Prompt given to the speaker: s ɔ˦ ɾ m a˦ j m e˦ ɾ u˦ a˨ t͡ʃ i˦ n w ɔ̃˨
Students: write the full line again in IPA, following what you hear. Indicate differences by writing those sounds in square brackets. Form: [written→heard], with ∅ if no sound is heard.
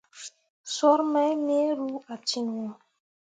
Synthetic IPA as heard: s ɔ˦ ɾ m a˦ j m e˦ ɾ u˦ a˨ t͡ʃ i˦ n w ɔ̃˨

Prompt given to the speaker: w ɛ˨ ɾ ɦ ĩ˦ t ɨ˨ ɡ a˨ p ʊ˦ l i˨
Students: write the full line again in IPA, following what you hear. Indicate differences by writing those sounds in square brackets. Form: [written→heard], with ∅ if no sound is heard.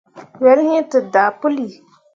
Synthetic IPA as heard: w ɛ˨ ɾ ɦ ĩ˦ t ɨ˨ [ɡ→d] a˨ p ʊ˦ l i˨

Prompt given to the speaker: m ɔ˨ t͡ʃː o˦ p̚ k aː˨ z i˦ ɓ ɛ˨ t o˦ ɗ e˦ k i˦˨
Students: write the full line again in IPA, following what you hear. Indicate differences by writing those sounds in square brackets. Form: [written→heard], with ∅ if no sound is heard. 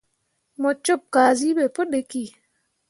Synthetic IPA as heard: m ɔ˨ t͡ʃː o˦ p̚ k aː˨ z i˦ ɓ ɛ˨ [t→p] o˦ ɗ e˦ k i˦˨

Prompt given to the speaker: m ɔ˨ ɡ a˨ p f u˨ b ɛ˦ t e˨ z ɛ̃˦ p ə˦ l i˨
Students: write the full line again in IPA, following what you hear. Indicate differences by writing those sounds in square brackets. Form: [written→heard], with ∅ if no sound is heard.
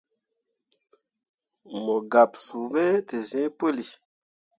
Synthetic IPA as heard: m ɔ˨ ɡ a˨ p [f→s] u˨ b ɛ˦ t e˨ z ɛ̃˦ p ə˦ l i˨

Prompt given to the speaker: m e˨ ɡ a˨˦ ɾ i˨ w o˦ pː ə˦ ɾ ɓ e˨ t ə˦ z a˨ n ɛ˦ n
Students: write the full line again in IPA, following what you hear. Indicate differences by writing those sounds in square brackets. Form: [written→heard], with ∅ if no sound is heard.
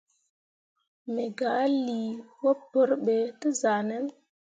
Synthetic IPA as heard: m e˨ ɡ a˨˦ [ɾ→l] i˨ w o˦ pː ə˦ ɾ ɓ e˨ t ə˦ z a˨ n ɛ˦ n

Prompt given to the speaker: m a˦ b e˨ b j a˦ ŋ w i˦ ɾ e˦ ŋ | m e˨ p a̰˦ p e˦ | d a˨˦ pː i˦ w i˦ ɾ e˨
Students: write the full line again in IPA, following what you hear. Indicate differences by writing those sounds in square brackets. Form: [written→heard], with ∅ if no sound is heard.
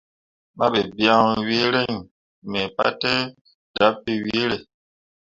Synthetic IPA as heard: m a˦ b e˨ b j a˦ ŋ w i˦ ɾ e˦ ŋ | m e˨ p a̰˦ [p→t] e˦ | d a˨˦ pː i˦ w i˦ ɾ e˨

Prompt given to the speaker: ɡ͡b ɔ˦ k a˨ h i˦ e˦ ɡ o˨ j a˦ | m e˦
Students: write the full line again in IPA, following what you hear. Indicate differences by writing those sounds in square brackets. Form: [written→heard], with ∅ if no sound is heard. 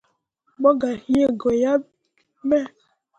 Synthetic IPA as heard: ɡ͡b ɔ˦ [k→ɡ] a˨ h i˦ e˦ ɡ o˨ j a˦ | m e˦

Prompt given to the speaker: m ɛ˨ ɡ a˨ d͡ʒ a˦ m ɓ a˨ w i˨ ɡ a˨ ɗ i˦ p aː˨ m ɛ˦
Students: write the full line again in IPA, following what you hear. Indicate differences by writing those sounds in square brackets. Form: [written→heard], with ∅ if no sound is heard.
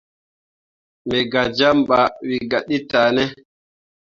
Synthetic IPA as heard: m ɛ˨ ɡ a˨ d͡ʒ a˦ m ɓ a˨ w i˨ ɡ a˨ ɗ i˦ [p→t] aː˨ [m→n] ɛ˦

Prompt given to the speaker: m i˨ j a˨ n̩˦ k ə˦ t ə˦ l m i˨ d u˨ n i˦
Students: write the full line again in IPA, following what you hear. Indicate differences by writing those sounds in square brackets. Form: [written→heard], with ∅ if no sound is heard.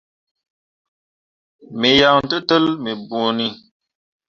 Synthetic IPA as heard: m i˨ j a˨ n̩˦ [k→t] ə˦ t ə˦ l m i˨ [d→b] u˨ n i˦

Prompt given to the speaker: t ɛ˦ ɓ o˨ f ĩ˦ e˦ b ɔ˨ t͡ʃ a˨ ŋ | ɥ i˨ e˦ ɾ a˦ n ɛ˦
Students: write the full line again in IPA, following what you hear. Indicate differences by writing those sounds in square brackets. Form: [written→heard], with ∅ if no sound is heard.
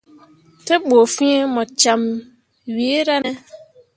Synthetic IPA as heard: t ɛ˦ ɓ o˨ f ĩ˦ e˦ [b→m] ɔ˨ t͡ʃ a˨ [ŋ→m] | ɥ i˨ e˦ ɾ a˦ n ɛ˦

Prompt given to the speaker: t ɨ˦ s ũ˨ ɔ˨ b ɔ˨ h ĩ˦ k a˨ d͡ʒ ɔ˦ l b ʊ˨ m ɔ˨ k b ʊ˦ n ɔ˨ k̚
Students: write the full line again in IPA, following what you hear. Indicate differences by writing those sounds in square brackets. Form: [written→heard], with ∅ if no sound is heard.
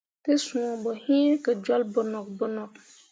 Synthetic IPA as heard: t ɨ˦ s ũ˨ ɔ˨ b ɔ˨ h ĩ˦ k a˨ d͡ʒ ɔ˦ l b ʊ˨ [m→n] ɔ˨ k b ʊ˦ n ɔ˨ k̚

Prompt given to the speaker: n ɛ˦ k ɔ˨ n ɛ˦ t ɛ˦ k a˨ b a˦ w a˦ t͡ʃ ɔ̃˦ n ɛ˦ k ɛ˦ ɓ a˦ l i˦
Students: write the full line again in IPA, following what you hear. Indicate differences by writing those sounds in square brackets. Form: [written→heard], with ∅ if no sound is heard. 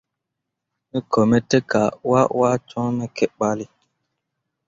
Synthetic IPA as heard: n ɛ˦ k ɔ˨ [n→m] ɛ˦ t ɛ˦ k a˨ [b→w] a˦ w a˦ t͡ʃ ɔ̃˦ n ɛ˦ k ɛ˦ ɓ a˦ l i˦

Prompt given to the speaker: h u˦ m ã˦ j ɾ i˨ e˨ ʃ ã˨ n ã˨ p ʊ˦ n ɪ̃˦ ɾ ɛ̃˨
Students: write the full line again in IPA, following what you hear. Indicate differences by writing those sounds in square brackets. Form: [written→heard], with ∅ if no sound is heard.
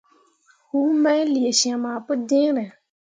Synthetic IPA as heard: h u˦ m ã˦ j [ɾ→l] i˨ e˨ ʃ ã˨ [n→m] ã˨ p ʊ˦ [n→d] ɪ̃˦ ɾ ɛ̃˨

